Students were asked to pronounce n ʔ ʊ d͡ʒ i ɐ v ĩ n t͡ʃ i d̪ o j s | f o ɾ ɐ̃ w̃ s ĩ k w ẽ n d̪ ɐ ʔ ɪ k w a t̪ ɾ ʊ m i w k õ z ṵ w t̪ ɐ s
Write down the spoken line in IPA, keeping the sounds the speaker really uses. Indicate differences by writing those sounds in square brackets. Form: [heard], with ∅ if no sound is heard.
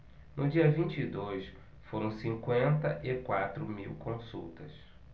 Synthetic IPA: n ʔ ʊ d͡ʒ i ɐ v ĩ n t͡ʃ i d̪ o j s | f o ɾ ɐ̃ w̃ s ĩ k w ẽ n [t̪] ɐ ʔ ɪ k w a t̪ ɾ ʊ m i w k õ [s] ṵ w t̪ ɐ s